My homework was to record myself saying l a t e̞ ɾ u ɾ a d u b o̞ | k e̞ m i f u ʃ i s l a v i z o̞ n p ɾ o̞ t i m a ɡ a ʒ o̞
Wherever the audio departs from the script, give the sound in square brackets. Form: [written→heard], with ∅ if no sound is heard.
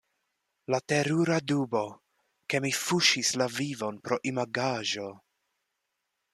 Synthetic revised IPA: l a t e̞ ɾ u ɾ a d u b o̞ | k e̞ m i f u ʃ i s l a v i [z→v] o̞ n p ɾ o̞ [t→ʔ] i m a ɡ a ʒ o̞